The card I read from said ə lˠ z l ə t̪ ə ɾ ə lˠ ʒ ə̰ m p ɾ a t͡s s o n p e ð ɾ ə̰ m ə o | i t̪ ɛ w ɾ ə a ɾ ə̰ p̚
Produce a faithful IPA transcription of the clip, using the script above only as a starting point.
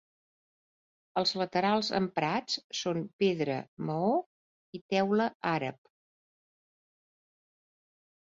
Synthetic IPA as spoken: ə lˠ z l ə t̪ ə ɾ a lˠ z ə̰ m p ɾ a t͡s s o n p e ð ɾ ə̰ m ə o | i t̪ ɛ w l ə a ɾ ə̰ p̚